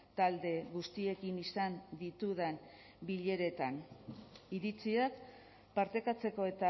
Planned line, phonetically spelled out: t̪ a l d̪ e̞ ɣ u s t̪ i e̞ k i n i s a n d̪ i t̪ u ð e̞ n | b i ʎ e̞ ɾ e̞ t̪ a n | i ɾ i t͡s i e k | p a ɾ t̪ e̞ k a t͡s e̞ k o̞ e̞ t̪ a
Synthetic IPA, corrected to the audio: t̪ a l d̪ e̞ ɣ u s t̪ i e̞ k i n i s a n d̪ i t̪ u ð e̞ n | b i ʎ e̞ ɾ e̞ t̪ a n | i ɾ i t͡s i a k | p a ɾ t̪ e̞ k a t͡s e̞ k o̞ e̞ t̪ a